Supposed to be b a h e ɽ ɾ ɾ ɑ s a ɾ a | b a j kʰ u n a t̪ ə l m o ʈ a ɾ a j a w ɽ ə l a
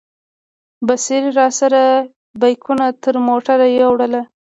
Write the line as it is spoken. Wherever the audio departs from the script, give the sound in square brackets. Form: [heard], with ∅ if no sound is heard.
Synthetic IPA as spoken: b a [s] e [∅] ɾ ɾ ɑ s a ɾ a | b a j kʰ u n a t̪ ə [ɾ] m o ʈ a ɾ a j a w ɽ ə l a